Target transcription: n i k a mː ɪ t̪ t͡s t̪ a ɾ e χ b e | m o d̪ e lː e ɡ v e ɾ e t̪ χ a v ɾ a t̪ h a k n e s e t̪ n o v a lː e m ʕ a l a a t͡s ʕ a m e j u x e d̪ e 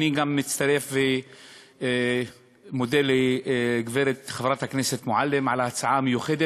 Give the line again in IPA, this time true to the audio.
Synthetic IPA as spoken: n i ɡ a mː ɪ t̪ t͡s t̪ a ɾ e f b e | m o d̪ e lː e ɡ v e ɾ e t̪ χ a v ɾ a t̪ h a k n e s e t̪ m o ʕ a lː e m ʕ a l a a t͡s ʕ a m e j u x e d̪ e